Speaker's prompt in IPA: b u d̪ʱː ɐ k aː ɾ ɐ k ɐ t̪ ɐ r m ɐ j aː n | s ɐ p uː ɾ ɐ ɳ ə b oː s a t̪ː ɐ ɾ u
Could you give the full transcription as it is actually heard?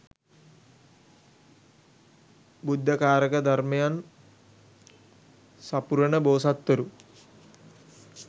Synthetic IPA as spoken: b u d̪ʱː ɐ k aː ɾ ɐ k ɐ d̪ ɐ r m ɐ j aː n | s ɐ p u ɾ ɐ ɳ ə b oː s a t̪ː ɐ ɾ u